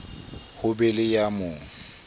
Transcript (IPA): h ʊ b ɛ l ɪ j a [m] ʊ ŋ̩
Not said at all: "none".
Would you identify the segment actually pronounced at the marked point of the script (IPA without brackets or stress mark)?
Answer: m